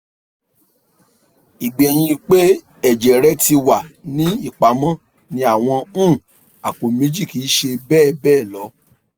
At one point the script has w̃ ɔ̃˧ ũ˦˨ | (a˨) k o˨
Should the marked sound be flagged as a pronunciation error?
no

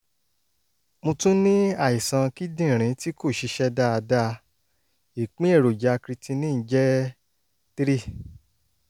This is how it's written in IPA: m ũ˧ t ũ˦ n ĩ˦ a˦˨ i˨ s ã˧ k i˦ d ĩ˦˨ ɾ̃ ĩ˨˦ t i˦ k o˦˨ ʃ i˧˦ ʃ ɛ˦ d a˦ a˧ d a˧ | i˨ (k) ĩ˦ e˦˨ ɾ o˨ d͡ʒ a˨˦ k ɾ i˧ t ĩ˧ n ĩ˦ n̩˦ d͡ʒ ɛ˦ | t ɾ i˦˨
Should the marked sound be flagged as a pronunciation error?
yes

